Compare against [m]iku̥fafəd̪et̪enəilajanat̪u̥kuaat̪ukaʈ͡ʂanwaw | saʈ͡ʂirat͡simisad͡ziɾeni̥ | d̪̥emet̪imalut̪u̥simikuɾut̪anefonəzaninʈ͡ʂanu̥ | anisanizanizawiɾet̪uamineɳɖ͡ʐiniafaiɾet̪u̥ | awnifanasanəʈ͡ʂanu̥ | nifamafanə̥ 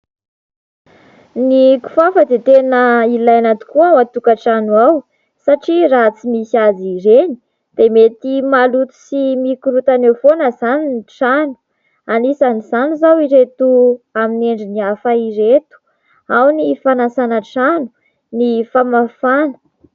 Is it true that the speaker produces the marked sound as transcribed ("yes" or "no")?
no